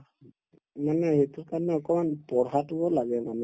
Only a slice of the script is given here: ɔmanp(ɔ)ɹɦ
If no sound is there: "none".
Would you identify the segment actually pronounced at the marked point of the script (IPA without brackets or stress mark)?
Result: ɔ